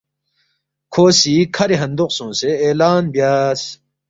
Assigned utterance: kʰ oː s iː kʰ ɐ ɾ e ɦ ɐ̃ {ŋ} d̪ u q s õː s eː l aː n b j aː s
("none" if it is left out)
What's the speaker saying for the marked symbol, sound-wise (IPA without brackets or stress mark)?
n